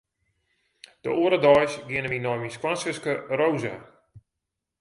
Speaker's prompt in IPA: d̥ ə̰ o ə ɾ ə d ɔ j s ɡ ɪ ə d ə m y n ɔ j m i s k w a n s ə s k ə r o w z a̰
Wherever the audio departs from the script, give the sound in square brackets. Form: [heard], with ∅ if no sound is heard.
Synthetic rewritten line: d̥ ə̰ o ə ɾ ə d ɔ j s ɡ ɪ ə [n] ə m [i] n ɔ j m i s k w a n s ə s k ə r o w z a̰